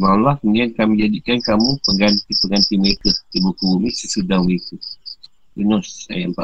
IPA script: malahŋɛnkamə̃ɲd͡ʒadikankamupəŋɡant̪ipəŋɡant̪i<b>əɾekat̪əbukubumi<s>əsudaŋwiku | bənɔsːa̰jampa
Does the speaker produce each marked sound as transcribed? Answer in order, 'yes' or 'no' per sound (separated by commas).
no, yes